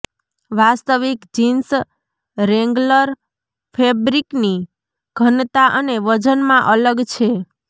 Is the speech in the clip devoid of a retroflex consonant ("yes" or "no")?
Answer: yes